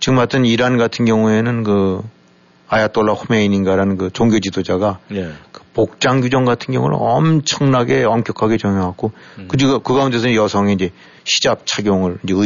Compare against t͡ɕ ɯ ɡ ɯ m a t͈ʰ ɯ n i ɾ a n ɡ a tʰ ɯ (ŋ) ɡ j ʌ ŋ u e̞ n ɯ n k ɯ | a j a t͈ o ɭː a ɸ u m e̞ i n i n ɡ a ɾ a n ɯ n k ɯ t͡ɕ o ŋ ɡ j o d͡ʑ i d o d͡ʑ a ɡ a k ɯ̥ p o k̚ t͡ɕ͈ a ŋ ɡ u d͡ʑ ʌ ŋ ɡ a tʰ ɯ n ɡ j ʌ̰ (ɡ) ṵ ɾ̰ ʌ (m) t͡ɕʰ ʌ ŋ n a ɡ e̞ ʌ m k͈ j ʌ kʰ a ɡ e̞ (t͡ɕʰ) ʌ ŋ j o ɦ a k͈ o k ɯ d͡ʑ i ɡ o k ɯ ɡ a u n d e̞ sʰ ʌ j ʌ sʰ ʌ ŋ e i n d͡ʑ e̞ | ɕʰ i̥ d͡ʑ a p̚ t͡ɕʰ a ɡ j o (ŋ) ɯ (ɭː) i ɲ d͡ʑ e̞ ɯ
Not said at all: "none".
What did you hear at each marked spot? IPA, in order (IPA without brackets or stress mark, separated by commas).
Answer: n, ŋ, m, t͡ɕ, ŋ, ɭ